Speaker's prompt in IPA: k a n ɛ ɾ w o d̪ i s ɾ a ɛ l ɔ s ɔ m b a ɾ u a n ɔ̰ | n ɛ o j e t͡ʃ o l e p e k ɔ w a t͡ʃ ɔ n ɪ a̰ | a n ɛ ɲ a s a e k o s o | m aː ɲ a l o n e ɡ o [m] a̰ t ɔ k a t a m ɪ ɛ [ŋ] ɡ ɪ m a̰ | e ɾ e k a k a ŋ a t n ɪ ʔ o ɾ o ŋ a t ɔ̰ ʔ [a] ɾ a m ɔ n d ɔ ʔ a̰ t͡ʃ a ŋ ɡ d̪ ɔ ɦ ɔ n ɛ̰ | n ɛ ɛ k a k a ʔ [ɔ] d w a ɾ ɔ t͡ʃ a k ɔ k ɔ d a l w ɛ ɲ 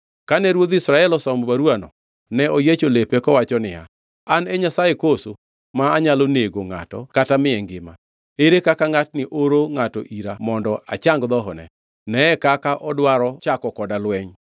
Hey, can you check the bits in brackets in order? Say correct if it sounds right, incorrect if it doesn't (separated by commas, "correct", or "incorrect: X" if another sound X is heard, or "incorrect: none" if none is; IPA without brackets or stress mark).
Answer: incorrect: ŋ, correct, incorrect: i, correct